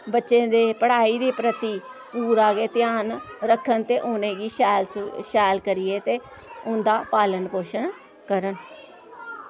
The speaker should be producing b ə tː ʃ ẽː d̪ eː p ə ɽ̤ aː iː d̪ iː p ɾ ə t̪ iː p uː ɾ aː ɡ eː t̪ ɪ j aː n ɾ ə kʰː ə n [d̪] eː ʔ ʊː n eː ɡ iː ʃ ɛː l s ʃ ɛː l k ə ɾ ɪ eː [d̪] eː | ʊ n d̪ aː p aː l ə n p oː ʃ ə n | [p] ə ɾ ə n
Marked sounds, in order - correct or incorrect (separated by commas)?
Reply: incorrect, incorrect, incorrect